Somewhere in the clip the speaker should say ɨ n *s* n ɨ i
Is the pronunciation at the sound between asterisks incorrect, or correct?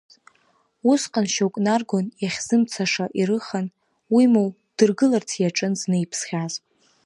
incorrect